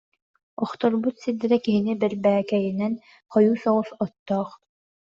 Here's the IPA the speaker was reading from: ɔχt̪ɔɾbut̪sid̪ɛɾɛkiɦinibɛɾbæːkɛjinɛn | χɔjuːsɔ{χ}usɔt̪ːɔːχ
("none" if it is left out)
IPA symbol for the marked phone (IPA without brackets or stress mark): ʁ